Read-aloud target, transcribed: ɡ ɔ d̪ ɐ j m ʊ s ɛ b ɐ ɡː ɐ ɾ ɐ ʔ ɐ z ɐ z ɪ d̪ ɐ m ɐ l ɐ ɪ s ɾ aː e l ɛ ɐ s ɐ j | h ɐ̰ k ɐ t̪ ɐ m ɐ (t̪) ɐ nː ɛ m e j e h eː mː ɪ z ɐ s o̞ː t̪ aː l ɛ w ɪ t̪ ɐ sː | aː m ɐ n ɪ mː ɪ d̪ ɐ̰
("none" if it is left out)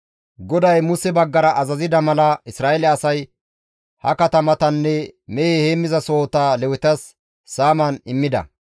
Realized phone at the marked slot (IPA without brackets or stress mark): t̪